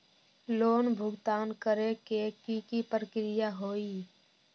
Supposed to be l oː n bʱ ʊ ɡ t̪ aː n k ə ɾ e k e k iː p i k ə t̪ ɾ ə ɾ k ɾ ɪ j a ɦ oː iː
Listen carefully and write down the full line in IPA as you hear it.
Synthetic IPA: l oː n bʱ ʊ ɡ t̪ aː n k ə ɾ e k e k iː k i p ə ɾ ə k ɾ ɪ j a ɦ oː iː